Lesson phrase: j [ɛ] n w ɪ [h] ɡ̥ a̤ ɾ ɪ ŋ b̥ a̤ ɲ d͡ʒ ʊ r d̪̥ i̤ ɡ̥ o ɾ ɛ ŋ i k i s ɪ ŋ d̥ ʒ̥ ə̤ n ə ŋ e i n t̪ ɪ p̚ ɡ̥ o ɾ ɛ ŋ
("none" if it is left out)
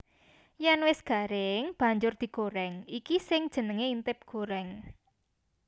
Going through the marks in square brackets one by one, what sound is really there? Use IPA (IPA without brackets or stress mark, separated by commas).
a, s